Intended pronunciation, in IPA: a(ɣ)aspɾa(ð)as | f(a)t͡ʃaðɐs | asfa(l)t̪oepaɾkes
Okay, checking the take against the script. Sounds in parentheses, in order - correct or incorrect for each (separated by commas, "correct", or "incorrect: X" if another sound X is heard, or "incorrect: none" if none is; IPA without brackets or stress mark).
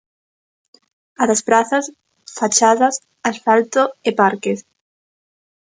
incorrect: ð, incorrect: θ, correct, correct